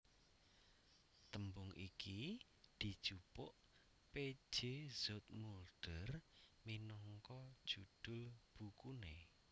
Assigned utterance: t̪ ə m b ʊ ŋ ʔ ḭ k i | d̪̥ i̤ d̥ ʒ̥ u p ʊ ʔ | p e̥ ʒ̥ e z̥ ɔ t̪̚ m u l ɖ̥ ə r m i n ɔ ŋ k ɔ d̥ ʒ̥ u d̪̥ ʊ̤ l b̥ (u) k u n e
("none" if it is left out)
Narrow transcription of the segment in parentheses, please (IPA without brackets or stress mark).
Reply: u